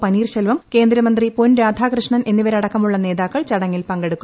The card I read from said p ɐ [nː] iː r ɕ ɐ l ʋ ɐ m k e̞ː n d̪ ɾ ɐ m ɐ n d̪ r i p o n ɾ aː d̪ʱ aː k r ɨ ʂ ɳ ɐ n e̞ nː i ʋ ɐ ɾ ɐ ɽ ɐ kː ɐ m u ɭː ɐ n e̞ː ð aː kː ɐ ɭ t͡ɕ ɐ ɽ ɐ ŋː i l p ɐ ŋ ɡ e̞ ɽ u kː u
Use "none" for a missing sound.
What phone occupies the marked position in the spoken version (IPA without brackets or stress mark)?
n